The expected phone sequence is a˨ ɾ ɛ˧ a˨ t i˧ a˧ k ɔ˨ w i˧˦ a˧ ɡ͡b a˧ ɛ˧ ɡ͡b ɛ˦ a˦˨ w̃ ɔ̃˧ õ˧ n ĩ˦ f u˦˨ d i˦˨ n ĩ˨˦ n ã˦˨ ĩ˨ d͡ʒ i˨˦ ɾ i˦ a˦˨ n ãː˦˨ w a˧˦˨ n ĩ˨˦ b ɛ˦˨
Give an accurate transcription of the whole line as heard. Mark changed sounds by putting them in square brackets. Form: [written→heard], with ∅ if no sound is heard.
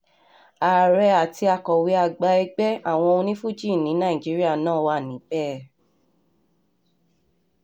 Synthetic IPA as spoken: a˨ ɾ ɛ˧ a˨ t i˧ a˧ k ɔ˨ w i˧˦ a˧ ɡ͡b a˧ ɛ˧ ɡ͡b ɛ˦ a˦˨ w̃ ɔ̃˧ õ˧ n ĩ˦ f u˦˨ [d→d͡ʒ] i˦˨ n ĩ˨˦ n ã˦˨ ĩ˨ d͡ʒ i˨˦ ɾ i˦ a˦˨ n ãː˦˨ w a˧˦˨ n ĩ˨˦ b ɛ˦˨